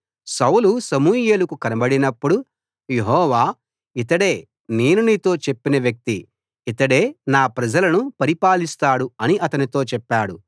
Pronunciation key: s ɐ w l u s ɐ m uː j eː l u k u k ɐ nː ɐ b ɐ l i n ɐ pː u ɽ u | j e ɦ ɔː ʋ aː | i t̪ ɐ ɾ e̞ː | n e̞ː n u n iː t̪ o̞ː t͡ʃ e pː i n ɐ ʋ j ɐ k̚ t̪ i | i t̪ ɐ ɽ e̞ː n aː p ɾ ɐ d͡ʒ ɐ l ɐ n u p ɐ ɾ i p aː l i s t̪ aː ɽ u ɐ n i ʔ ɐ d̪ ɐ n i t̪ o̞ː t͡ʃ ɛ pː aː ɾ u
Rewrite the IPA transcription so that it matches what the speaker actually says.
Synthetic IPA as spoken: s ɐ w l u s ɐ m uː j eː l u k u k ɐ n ɐ b ɐ ɽ i n ɐ pː u ɽ u | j e ɦ ɔː ʋ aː | i t̪ ɐ ɽ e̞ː | n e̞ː n u n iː t̪ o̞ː t͡ʃ e pː i n ɐ ʋ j ɐ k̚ t̪ i | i t̪ ɐ ɽ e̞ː n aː p ɾ ɐ d͡ʒ ɐ l ɐ n u p ɐ ɾ i p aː l i s t̪ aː ɽ u ɐ n i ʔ ɐ t̪ ɐ n i t̪ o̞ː t͡ʃ ɛ pː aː ɽ u